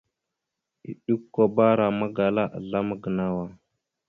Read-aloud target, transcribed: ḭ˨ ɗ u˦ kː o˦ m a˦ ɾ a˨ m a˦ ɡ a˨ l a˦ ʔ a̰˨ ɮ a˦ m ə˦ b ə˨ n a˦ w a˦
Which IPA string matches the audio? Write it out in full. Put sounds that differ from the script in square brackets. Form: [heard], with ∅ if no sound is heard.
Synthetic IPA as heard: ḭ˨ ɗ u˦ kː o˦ [b] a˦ ɾ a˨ m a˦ ɡ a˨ l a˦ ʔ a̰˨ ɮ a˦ m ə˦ [ɡ] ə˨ n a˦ w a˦

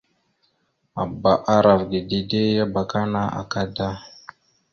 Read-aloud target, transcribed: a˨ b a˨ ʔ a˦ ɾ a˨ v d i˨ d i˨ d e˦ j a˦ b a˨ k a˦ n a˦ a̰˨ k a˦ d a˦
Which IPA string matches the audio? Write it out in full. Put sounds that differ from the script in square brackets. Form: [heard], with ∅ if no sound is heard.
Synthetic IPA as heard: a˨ b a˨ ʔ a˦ ɾ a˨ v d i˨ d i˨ d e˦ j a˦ b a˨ k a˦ n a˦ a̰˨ k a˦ d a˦

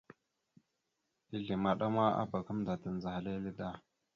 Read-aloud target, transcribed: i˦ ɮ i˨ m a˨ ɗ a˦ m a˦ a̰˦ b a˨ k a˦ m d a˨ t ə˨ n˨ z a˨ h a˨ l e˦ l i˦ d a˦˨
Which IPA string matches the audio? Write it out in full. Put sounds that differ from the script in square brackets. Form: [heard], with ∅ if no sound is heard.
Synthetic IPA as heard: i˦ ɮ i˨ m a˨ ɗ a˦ m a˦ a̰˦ b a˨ k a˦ m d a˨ t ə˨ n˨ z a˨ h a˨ l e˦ l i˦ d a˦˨

